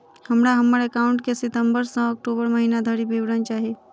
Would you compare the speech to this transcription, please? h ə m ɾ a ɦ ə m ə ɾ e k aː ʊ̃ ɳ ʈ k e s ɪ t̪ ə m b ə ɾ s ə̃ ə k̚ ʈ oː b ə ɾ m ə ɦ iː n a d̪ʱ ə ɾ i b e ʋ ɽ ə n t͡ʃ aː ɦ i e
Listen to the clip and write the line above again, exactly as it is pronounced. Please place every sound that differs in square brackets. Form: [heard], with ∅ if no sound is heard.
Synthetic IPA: h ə m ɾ a ɦ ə m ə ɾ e k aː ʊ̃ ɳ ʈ k e s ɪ t̪ ə m b ə ɾ s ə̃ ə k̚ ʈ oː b ə ɾ m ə ɦ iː n a d̪ʱ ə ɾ i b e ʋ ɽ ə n t͡ʃ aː ɦ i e